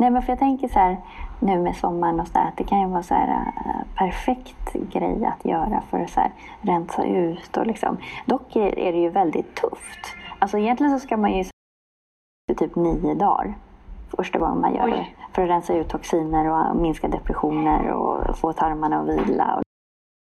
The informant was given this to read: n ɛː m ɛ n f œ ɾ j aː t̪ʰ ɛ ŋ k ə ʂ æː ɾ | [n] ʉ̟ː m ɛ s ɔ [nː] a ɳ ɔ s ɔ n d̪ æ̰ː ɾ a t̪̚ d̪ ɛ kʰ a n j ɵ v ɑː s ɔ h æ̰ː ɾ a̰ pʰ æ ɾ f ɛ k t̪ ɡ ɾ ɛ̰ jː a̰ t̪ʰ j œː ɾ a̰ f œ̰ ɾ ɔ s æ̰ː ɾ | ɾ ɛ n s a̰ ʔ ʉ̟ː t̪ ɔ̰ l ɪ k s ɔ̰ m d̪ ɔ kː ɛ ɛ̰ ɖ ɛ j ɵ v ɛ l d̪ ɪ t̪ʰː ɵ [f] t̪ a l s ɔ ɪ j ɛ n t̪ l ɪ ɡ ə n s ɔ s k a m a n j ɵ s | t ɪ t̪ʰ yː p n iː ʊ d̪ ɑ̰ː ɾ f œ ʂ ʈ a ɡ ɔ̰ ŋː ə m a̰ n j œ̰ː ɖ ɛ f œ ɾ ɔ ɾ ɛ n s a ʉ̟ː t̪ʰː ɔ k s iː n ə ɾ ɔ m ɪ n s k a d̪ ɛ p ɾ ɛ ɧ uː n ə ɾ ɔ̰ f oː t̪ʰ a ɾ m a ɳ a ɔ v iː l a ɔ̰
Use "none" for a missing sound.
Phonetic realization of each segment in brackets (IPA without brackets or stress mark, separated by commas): n, mː, f